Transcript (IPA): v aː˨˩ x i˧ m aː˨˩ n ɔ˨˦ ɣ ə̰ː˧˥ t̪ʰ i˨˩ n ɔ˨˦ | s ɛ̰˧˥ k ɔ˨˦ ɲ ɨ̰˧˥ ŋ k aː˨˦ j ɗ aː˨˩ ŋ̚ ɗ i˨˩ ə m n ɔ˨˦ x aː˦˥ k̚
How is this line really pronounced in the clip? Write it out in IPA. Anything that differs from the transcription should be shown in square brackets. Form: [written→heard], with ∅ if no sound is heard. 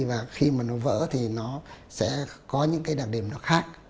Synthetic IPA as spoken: v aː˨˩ x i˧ m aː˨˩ n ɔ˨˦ [ɣ→v] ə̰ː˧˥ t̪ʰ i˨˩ n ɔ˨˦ | s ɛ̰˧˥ k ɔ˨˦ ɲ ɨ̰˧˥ ŋ k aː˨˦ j ɗ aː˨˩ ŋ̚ ɗ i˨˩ ə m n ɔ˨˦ x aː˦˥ k̚